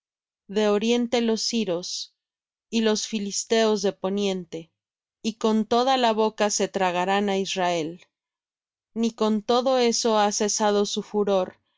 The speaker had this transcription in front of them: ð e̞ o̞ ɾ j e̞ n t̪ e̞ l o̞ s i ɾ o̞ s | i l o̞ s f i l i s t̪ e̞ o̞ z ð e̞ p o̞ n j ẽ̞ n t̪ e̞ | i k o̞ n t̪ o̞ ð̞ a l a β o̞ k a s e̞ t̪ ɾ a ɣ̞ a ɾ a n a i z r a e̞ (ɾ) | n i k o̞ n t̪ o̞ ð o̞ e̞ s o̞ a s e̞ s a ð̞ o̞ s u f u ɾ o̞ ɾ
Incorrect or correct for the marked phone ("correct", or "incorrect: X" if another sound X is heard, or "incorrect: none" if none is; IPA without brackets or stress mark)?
incorrect: l